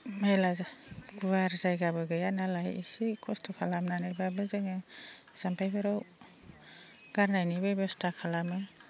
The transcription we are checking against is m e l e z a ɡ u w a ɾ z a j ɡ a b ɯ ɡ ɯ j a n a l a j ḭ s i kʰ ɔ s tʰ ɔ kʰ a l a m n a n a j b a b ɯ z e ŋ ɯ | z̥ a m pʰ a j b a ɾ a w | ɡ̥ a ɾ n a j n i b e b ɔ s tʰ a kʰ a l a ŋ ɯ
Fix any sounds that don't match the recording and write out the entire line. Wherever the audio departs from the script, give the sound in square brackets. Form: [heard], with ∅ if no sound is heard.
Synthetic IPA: m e l [a] z a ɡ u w a ɾ z a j ɡ a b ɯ ɡ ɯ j a n a l a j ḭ s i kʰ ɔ s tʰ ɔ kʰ a l a m n a n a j b a b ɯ z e ŋ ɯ | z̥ a m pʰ a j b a ɾ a w | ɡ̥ a ɾ n a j n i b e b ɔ s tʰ a kʰ a l a [m] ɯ

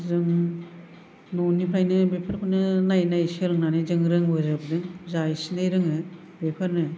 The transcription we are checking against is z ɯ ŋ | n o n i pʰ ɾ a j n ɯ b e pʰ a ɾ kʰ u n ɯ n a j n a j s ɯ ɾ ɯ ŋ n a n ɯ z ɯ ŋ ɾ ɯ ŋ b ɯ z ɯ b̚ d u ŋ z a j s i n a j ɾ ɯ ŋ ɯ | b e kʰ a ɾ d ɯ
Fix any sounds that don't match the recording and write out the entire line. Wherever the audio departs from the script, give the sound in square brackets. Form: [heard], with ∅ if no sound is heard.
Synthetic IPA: z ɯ ŋ | n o n i pʰ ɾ a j n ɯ b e pʰ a ɾ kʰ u n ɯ n a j n a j s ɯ ɾ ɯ ŋ n a n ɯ z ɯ ŋ ɾ ɯ ŋ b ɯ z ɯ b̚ d [ɯ] ŋ z a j s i n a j ɾ ɯ ŋ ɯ | b e [pʰ] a ɾ [n] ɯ

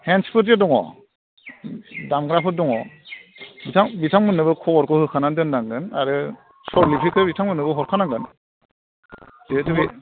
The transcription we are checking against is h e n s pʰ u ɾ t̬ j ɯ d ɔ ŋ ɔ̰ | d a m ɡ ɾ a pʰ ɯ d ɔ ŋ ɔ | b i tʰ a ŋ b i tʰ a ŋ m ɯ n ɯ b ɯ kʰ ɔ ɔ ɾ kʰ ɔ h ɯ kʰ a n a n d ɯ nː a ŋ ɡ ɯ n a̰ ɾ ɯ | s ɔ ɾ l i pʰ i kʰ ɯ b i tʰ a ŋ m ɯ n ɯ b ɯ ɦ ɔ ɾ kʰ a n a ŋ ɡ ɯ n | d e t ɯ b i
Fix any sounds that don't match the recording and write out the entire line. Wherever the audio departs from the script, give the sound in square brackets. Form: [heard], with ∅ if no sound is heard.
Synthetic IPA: h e n s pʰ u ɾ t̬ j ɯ d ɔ ŋ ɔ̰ | d a m ɡ ɾ a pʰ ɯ d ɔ ŋ ɔ | b i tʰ a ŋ b i tʰ a ŋ m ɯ n ɯ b ɯ kʰ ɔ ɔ ɾ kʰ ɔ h ɯ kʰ a n a n d ɯ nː a ŋ ɡ ɯ n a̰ ɾ ɯ | s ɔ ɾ l i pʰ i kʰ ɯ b i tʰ a ŋ m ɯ n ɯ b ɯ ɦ ɔ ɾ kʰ a n a ŋ ɡ ɯ n | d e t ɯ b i

